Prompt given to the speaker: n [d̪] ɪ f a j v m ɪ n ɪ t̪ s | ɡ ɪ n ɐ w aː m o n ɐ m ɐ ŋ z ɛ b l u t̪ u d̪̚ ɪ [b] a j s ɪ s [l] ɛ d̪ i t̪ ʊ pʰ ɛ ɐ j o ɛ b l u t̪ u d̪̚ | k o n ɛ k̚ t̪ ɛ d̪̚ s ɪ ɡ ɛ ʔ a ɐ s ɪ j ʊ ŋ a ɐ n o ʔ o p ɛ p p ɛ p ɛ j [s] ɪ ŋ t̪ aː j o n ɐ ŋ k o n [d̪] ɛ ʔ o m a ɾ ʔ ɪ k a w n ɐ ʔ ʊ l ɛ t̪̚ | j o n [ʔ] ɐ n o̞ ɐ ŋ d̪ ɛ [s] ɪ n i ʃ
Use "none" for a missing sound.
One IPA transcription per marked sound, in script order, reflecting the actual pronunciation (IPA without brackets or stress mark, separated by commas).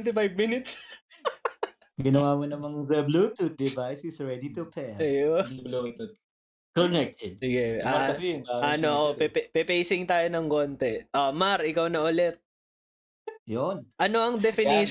t̪, v, ɹ, s, t̪, ʔ, f